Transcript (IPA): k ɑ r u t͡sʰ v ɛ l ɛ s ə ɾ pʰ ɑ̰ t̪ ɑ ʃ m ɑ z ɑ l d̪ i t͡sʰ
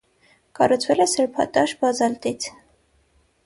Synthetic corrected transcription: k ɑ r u t͡sʰ v ɛ l ɛ s ə ɾ pʰ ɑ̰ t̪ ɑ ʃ b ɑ z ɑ l t̪ i t͡sʰ